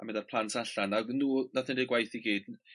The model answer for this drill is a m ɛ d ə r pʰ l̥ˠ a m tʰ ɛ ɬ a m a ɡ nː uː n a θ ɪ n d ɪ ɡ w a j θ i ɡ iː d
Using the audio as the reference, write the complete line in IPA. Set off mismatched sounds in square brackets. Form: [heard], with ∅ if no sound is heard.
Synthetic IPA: a m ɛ d [a] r pʰ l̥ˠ a [n] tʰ [a] ɬ a [n] a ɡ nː uː n a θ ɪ n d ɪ ɡ w a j θ i ɡ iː d